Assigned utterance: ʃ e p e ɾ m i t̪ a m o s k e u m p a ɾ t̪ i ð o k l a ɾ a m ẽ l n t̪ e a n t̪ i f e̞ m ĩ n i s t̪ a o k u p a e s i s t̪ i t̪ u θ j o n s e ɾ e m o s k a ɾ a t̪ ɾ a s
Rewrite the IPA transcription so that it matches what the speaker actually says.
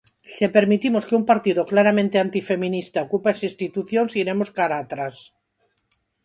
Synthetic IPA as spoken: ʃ e p e ɾ m i t̪ i m o s k e u m p a ɾ t̪ i ð o k l a ɾ a m ẽ n t̪ e a n t̪ i f e̞ m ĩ n i s t̪ a o k u p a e s i s t̪ i t̪ u θ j o n s i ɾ e m o s k a ɾ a t̪ ɾ a s